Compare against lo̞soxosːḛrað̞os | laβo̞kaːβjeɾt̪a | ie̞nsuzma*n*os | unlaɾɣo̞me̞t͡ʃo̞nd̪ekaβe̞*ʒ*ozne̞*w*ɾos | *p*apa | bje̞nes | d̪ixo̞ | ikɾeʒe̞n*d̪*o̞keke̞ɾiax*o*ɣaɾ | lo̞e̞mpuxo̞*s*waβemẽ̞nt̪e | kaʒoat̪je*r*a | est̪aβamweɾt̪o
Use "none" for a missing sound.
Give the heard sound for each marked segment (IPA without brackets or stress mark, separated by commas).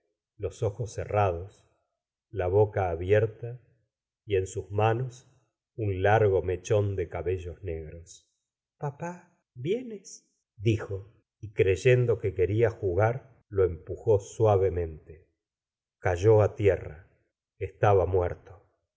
n, ʒ, ɣ, p, d̪, u, s, r